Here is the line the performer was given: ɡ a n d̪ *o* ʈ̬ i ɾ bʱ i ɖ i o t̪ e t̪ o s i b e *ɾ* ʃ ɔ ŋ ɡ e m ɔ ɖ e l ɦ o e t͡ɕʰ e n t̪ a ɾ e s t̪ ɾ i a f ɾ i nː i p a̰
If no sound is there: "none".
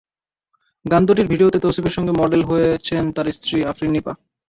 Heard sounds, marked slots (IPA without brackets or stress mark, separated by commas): o, ɾ